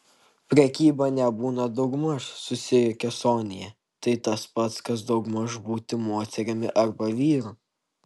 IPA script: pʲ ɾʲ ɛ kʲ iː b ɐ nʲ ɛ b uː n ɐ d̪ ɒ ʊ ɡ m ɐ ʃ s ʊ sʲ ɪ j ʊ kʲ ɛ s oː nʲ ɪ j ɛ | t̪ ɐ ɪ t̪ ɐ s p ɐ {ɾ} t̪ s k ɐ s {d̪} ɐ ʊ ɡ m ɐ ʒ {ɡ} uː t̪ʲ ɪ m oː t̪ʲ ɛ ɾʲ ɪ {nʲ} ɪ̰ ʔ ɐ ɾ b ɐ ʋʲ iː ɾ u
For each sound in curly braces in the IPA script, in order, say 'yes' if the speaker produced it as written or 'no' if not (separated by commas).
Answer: no, yes, no, no